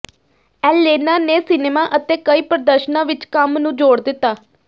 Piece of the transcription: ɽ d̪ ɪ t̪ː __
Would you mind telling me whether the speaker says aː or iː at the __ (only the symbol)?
aː